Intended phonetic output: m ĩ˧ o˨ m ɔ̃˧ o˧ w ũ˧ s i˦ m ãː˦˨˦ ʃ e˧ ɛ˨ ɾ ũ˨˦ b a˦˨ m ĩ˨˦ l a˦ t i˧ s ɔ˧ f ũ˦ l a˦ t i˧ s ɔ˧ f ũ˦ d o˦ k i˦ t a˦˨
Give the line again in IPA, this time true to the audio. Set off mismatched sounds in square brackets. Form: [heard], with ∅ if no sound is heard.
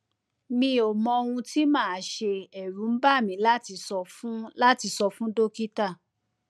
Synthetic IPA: m ĩ˧ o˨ m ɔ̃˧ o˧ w ũ˧ [t] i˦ m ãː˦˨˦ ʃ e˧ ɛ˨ ɾ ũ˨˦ b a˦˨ m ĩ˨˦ l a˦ t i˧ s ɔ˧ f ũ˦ l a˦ t i˧ s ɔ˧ f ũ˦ d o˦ k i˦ t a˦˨